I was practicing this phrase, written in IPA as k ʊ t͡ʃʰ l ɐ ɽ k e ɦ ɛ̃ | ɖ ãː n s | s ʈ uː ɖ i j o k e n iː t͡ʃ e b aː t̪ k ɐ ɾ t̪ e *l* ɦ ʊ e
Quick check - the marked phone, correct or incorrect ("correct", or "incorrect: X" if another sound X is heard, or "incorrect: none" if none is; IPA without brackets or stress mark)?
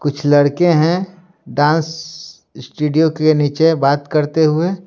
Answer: incorrect: none